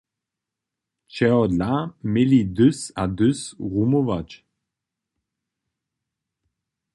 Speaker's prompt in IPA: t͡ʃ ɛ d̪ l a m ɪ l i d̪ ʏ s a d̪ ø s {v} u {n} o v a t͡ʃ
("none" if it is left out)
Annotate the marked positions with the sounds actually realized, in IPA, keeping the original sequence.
ʁ, m

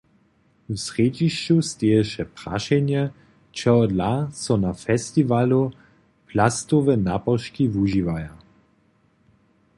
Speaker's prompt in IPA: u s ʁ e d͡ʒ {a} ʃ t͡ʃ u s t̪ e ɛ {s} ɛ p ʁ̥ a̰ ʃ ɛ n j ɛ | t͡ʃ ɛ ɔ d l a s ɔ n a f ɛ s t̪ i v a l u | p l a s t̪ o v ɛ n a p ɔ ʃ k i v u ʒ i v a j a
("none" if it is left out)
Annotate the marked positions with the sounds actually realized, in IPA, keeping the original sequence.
i, ʃ

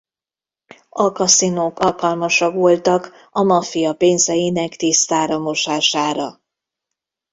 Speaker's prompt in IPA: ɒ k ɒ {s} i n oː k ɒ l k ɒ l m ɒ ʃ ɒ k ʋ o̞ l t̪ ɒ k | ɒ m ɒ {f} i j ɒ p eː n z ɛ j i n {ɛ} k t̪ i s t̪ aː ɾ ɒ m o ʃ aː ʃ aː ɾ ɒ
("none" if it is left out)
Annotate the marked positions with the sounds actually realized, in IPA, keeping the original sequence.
s, f, ɛ

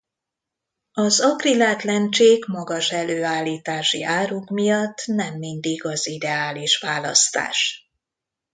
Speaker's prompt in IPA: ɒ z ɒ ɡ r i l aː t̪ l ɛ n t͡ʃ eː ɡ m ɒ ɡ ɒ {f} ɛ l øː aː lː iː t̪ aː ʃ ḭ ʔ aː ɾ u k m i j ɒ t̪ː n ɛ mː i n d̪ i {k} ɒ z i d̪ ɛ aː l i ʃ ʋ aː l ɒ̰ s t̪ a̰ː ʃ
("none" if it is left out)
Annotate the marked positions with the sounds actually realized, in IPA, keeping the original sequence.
ʃ, ɡ

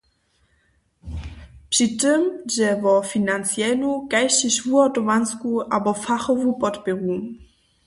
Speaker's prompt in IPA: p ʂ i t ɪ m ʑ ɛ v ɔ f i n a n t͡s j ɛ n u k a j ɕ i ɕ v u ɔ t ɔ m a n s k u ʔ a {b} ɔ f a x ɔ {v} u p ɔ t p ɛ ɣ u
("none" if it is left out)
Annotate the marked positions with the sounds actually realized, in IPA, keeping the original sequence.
b, v

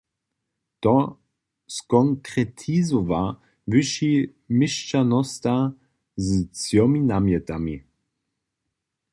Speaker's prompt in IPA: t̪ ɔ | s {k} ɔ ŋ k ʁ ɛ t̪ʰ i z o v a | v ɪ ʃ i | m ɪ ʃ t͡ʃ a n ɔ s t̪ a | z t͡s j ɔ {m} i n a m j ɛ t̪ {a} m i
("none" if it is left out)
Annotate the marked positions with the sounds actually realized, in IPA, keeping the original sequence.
k, m, a

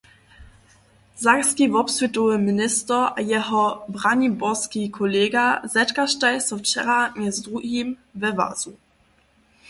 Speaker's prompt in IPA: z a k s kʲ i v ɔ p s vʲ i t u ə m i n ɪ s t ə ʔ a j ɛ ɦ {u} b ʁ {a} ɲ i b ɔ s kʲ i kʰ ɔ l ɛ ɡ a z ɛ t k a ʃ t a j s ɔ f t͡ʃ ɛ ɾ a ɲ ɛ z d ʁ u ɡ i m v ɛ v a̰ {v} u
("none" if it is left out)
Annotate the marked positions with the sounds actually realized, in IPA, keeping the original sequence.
ɔ, a, z

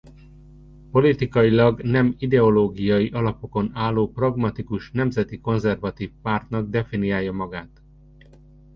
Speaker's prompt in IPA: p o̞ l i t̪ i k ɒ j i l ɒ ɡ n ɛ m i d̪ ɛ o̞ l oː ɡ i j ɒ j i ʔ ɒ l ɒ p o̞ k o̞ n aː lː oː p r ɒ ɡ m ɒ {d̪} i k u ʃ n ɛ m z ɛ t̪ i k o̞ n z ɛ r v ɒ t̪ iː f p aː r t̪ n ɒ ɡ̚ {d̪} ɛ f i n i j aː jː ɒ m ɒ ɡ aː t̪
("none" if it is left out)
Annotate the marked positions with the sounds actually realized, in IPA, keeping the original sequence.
t̪, d̪

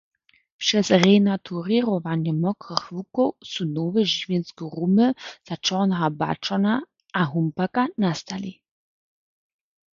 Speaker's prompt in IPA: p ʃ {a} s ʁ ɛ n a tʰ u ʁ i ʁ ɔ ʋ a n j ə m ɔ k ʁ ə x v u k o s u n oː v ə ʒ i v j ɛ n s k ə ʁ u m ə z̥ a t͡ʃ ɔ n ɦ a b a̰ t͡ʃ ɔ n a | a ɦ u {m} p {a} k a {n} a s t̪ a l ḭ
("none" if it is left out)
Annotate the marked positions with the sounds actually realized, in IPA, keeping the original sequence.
ɛ, m, a, n

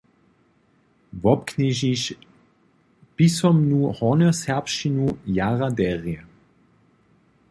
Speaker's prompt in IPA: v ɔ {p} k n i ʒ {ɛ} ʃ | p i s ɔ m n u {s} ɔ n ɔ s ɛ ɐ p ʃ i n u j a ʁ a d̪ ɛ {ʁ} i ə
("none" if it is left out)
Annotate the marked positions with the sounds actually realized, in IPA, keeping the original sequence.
p, i, h, ʁ

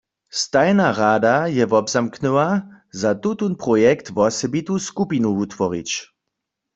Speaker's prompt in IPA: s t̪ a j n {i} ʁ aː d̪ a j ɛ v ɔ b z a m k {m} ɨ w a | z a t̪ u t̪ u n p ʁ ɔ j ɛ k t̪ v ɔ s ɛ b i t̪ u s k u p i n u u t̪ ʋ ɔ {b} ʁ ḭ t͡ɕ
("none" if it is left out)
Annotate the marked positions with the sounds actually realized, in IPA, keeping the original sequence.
a, n, none

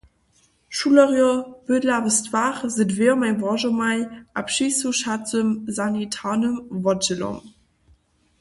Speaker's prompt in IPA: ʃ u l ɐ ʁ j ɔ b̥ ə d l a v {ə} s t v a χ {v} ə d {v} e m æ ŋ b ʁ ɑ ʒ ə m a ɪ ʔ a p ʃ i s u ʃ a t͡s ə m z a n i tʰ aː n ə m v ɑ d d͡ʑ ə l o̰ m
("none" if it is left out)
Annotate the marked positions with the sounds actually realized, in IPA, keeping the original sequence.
ə, z, v

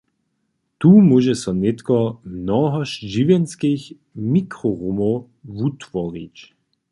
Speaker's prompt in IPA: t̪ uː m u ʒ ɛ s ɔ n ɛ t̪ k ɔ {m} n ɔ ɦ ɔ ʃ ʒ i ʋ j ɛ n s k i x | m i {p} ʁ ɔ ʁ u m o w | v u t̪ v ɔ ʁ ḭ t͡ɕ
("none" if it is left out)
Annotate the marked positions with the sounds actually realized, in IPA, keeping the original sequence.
m, k

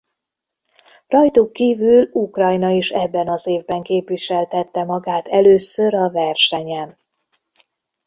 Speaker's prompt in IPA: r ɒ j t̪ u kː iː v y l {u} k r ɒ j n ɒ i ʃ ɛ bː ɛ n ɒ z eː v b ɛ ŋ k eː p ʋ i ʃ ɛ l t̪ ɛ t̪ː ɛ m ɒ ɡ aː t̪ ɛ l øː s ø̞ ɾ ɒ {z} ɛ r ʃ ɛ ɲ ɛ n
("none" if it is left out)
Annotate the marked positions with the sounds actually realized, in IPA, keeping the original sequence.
u, v

